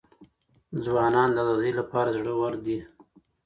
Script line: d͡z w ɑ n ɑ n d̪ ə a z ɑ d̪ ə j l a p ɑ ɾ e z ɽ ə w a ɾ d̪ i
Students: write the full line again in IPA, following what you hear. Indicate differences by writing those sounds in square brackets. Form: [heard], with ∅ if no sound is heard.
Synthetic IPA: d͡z w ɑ n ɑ n d̪ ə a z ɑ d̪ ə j l a p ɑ ɾ [a] z ɽ ə w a ɾ d̪ i

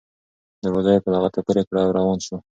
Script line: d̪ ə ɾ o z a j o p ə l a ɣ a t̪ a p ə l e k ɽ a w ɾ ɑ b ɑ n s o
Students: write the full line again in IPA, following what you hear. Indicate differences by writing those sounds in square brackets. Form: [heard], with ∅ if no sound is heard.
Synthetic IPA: d̪ ə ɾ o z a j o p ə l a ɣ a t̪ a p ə [ɾ] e k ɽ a w ɾ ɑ [w] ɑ n [ʃ] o

